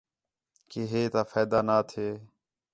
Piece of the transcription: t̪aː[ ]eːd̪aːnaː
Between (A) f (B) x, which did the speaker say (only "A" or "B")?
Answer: A